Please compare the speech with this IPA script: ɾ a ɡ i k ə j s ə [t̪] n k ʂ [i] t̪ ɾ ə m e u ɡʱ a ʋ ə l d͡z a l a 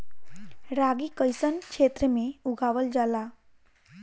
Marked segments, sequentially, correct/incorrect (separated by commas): incorrect, incorrect